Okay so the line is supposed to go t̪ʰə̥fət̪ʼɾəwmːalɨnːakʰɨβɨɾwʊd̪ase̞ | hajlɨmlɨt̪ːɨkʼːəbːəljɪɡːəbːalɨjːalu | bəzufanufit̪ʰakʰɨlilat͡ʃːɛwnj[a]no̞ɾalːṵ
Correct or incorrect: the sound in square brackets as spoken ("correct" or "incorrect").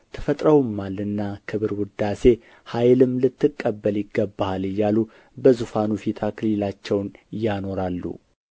correct